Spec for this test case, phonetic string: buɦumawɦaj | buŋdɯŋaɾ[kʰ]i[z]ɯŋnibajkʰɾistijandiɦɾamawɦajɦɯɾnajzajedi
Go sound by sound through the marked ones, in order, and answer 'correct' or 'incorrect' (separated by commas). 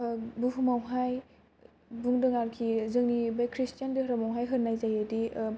correct, correct